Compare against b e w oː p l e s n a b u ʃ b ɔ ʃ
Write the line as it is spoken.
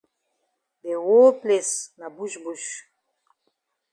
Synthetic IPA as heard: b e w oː p l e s n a b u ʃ b u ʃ

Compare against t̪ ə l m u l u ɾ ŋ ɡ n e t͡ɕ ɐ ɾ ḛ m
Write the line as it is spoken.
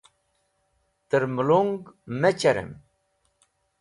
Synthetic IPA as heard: t̪ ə ɾ m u l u ŋ ɡ m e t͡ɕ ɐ ɾ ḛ m

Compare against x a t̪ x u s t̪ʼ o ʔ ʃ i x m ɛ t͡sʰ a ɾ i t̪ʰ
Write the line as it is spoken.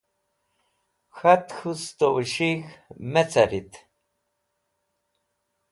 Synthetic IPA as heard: x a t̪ x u s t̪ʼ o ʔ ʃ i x m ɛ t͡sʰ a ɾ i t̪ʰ

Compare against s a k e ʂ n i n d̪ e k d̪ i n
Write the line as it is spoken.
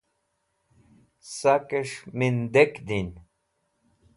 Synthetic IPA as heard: s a k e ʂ m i n d̪ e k d̪ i n

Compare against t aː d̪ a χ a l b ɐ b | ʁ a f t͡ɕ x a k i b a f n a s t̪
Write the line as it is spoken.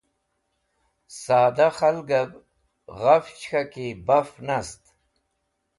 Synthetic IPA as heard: s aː d̪ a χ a l ɡ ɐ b | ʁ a f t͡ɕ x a k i b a f n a s t̪

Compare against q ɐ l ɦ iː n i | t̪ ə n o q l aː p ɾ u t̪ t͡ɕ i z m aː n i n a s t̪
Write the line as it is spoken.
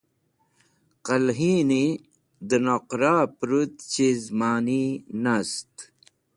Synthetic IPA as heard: q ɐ l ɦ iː n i | d̪ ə n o q ɾ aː p ɾ u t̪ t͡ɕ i z m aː n i n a s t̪

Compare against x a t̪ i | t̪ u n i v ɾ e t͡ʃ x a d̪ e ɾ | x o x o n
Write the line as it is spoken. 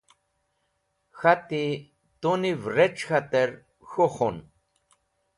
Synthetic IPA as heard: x a t̪ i | t̪ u n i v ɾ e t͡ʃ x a t̪ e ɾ | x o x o n

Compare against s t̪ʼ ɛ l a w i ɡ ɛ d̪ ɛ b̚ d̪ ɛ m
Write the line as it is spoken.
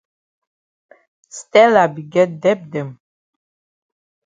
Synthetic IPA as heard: s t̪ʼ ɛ l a b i ɡ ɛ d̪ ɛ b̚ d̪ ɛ m

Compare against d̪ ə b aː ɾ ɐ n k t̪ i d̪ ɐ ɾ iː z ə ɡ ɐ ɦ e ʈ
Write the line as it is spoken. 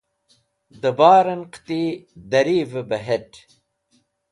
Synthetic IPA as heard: d̪ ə b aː ɾ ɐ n q t̪ i d̪ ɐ ɾ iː v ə b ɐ ɦ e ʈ

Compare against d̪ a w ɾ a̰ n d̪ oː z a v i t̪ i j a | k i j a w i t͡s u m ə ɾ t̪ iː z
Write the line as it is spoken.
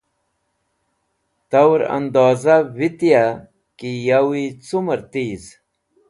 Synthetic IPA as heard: t̪ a w ɾ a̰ n d̪ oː z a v i t̪ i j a | k i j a w i t͡s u m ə ɾ t̪ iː z

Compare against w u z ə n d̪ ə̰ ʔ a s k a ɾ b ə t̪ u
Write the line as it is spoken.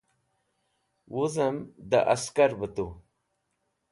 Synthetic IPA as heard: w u z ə m d̪ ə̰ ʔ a s k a ɾ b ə t̪ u

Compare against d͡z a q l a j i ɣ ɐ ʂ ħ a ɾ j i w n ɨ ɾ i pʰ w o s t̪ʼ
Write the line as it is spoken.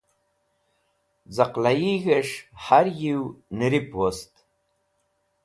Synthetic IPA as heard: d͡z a q l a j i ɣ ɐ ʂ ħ a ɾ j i w n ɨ ɾ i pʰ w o s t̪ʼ

